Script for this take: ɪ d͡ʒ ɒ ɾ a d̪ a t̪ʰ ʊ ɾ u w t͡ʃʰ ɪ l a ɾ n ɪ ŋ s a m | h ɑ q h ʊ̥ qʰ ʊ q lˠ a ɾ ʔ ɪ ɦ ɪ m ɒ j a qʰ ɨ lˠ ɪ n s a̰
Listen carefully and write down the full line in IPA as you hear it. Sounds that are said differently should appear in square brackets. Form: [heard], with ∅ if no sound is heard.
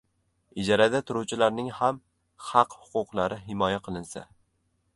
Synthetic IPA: ɪ d͡ʒ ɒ ɾ a d̪ a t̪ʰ ʊ ɾ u w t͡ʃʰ ɪ l a ɾ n ɪ ŋ [h] a m | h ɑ q h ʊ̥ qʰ ʊ q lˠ a ɾ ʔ ɪ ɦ ɪ m ɒ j a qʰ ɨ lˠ ɪ n s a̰